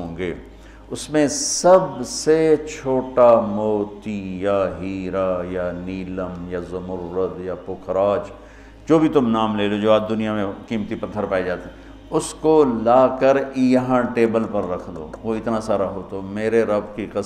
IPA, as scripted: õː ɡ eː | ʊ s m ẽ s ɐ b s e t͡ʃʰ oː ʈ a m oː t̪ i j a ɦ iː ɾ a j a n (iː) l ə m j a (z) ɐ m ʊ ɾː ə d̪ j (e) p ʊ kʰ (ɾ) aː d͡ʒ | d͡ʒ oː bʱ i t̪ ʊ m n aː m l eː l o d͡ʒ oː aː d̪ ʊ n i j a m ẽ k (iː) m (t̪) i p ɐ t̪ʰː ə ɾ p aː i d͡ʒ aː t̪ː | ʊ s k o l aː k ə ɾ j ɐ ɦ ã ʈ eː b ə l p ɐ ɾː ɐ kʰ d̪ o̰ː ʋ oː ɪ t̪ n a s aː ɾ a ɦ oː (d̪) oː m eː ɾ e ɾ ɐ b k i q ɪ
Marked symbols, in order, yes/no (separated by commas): yes, yes, no, yes, yes, yes, no